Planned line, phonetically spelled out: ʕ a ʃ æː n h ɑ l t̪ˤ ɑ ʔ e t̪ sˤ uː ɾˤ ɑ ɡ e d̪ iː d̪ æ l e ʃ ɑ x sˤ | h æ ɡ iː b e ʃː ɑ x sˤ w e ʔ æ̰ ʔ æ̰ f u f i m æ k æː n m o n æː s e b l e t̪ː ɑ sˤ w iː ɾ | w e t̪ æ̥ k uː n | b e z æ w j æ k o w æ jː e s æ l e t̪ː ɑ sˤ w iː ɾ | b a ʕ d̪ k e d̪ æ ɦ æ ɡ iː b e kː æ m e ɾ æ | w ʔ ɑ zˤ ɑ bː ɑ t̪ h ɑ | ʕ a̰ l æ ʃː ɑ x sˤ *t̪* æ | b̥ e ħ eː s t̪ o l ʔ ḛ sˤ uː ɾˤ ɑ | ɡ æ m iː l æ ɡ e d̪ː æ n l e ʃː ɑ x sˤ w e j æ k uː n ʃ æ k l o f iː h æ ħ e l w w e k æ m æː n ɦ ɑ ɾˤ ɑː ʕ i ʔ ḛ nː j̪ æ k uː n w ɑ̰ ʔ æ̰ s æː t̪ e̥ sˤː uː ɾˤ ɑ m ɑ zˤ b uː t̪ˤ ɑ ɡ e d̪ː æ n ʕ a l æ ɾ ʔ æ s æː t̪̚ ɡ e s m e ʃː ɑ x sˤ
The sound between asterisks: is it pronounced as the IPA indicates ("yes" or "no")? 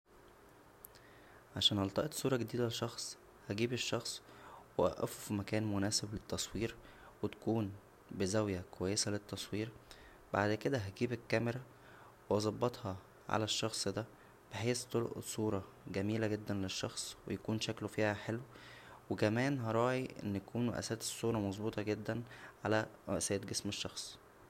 no